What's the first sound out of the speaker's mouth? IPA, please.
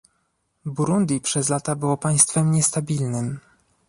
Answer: b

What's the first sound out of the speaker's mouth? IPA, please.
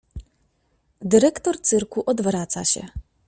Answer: d̪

